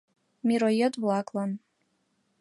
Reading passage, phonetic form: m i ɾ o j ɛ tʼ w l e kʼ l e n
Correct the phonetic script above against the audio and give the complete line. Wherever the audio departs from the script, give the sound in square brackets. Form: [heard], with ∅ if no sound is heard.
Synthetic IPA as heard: m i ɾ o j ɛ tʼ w l [a] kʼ l [a] n